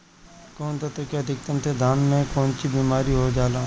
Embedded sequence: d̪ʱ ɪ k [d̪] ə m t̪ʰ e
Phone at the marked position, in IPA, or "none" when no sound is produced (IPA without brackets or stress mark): t̪